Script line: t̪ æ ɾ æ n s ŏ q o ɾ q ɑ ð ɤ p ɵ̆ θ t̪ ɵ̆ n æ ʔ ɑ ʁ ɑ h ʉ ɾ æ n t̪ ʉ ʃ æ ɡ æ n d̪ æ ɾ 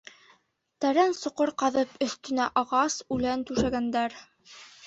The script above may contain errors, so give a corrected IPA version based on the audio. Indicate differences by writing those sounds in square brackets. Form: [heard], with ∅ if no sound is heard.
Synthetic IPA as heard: t̪ æ ɾ æ n s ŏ q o ɾ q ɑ ð ɤ p ɵ̆ θ t̪ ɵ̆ n æ ʔ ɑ ʁ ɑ [s] ʉ [l] æ n t̪ ʉ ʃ æ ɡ æ n d̪ æ ɾ